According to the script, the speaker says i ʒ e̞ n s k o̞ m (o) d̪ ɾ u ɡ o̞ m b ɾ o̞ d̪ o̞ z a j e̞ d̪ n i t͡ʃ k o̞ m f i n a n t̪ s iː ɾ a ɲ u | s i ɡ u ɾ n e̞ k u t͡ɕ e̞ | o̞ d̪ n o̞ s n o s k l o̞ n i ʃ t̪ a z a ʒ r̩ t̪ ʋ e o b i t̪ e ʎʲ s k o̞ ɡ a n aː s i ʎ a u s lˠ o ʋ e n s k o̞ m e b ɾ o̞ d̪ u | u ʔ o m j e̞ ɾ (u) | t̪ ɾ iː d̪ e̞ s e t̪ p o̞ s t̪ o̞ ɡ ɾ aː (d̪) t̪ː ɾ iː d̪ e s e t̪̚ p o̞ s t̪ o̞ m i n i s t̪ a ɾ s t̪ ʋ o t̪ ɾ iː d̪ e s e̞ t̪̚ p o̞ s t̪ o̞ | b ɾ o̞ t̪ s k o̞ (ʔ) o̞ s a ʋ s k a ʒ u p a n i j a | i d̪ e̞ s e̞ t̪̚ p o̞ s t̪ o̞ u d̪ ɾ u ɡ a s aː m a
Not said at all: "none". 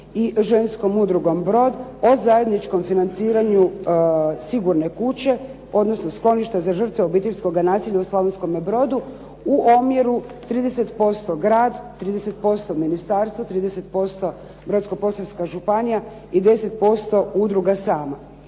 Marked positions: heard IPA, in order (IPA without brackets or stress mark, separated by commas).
u, u, d̪, p